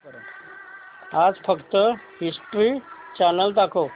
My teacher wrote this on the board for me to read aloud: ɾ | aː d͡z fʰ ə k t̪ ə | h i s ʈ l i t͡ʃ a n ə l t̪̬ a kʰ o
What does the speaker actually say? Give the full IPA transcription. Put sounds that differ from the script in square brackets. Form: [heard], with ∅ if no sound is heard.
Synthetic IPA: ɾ | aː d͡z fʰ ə k t̪ ə | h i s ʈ [ɾ] i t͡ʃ a n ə l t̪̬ a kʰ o